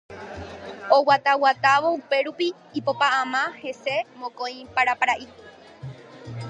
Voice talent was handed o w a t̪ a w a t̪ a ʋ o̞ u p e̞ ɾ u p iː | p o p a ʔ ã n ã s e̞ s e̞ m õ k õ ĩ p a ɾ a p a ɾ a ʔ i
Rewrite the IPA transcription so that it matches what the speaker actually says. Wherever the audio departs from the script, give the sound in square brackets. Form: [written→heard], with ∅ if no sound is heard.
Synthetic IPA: o w a t̪ a w a t̪ a ʋ o̞ u p e̞ ɾ u p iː | p o p a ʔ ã [n→m] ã [s→h] e̞ s e̞ m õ k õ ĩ p a ɾ a p a ɾ a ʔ i

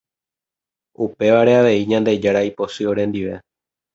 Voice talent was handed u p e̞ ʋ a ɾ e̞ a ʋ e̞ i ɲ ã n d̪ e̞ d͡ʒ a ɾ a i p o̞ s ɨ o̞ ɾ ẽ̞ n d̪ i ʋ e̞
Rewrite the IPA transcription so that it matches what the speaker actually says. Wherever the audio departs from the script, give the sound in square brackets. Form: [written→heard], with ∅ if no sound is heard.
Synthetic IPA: u p e̞ ʋ a ɾ e̞ a ʋ e̞ i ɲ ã n d̪ e̞ d͡ʒ a ɾ a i p o̞ s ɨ o̞ ɾ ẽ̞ n d̪ i ʋ e̞

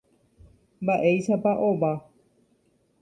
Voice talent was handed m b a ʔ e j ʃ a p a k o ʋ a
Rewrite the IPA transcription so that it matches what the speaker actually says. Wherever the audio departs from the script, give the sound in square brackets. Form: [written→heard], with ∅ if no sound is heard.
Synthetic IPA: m b a ʔ e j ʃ a p a [k→ʔ] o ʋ a

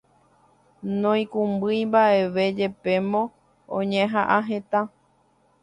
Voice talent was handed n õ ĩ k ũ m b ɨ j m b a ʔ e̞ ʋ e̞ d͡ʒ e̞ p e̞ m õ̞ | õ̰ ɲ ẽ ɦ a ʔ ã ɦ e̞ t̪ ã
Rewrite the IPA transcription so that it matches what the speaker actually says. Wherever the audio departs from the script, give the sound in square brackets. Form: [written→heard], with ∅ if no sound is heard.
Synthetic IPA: n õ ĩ k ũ m b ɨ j m b a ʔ e̞ ʋ e̞ d͡ʒ e̞ p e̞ m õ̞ | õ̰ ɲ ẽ ɦ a ʔ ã ɦ e̞ t̪ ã

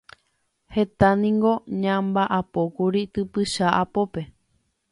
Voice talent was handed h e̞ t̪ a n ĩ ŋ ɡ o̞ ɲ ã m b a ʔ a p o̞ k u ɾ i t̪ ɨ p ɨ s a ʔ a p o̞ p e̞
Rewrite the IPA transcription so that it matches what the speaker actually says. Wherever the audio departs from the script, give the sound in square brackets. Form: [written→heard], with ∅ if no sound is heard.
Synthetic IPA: h e̞ t̪ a n ĩ ŋ ɡ o̞ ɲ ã m b a ʔ a p o̞ k u ɾ i t̪ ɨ p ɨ [s→ʃ] a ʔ a p o̞ p e̞

